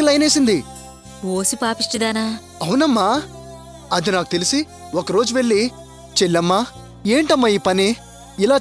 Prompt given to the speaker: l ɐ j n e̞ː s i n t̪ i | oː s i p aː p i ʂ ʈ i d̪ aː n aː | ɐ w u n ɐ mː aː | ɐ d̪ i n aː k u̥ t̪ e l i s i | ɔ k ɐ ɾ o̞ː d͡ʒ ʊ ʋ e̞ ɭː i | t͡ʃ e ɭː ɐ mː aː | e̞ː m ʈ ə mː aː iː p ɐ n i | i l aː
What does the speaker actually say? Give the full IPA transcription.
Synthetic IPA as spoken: l ɐ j n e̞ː s i n d̪ i | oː s i p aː p i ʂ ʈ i d̪ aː n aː | ɐ w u n ɐ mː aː | ɐ d̪ i n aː k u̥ t̪ e l i s i | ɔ k ɐ ɾ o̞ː d͡ʒ u ʋ e̞ ɭː i | t͡ʃ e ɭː ɐ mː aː | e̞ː ɳ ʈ ɐ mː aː iː p ɐ n i | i l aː

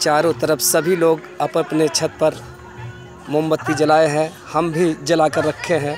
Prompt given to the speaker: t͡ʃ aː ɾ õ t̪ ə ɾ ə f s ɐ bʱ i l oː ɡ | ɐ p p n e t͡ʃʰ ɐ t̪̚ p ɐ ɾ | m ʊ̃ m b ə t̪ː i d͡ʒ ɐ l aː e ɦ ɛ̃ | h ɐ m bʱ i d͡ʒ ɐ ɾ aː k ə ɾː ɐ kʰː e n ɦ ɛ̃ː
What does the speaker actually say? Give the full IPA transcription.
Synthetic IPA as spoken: t͡ʃ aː ɾ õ t̪ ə ɾ ə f s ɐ bʱ i l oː ɡ | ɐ p p n e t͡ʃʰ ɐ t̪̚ p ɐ ɾ | m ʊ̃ m b ə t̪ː i d͡ʒ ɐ l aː e ɦ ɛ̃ | h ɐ m bʱ i d͡ʒ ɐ l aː k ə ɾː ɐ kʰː e ɦ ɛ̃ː

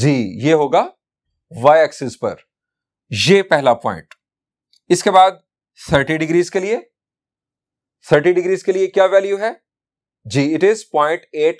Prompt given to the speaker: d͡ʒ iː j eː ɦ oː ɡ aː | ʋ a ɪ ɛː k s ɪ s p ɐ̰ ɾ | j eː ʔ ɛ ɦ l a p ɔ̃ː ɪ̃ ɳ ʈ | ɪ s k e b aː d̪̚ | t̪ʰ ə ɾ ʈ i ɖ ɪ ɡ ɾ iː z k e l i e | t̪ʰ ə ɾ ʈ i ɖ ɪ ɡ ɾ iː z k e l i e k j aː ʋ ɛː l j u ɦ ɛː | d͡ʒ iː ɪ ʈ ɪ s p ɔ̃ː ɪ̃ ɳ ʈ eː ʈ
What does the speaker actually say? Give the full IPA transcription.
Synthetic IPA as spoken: d͡ʒ iː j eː ɦ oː ɡ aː | ʋ a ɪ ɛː k s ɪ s p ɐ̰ ɾ | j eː p ɛ ɦ l a p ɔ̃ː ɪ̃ ɳ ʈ | ɪ s k e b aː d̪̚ | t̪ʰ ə ɾ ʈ i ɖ ɪ ɡ ɾ iː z k e l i e | t̪ʰ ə ɾ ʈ i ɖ ɪ ɡ ɾ iː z k e l i e k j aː ʋ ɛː l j u ɦ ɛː | d͡ʒ iː ɪ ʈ ɪ z p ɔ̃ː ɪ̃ ɳ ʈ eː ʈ

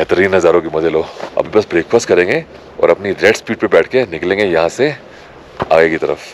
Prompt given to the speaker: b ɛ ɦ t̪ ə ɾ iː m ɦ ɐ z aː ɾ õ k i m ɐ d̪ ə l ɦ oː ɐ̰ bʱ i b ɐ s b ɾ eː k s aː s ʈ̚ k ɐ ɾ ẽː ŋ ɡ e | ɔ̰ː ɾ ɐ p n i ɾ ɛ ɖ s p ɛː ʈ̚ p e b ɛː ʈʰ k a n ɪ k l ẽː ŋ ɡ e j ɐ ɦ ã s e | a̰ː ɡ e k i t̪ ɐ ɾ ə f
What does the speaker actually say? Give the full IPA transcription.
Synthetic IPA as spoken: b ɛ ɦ t̪ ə ɾ iː n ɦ ɐ z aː ɾ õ k i m ɐ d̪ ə l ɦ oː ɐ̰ bʱ i b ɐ s b ɾ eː k f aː s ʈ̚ k ɐ ɾ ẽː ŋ ɡ e | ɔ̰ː ɾ ɐ p n i ɾ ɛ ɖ s p iː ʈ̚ p e b ɛː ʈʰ k e n ɪ k l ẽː ŋ ɡ e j ɐ ɦ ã s e | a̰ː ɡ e k i t̪ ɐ ɾ ə f

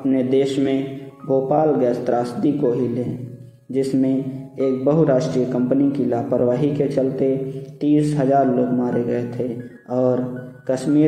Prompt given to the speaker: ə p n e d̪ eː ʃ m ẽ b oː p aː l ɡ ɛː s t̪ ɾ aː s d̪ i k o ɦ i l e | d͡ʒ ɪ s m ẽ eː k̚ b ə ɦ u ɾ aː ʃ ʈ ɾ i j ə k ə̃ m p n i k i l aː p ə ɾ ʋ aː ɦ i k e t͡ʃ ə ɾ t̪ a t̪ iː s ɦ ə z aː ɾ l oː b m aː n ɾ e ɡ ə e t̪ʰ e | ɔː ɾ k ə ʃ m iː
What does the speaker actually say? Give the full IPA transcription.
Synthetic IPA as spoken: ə p n e d̪ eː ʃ m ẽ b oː p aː l ɡ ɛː s t̪ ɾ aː s d̪ i k o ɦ i l e | d͡ʒ ɪ s m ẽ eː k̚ b ə ɦ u ɾ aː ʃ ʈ ɾ i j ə k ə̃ m p n i k i l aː p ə ɾ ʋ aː ɦ i k e t͡ʃ ə l t̪ e t̪ iː s ɦ ə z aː ɾ l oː ɡ m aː ɾ e ɡ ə e t̪ʰ e | ɔː ɾ k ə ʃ m iː

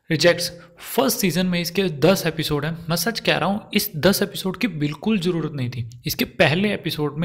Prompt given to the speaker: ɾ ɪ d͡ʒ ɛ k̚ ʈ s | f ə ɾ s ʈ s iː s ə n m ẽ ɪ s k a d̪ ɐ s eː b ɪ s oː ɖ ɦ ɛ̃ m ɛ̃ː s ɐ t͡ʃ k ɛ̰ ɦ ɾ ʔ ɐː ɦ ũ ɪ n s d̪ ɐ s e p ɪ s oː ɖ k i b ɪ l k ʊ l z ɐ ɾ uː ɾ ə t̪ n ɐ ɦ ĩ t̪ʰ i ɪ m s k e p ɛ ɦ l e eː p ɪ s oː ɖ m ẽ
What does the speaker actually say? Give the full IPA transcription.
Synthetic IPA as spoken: ɾ ɪ d͡ʒ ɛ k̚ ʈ s | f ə ɾ s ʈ s iː z ə n m ẽ ɪ s k e d̪ ɐ s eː p ɪ s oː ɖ ɦ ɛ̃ m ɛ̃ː s ɐ t͡ʃ k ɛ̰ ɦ ɾ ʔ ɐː ɦ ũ ɪ s d̪ ɐ s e p ɪ s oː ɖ k i b ɪ l k ʊ l z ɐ ɾ uː ɾ ə t̪ n ɐ ɦ ĩ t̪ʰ i ɪ s k e p ɛ ɦ l e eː p ɪ s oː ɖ m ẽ

